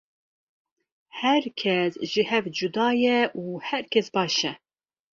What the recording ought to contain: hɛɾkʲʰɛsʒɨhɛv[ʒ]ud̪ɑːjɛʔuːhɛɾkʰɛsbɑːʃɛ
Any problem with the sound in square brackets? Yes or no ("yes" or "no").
yes